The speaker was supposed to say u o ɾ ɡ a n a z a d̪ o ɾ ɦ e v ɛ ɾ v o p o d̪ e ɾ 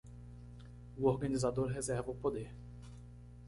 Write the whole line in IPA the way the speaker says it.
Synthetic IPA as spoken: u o ɾ ɡ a n i z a d̪ o ɾ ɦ e z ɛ ɾ v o p o d̪ e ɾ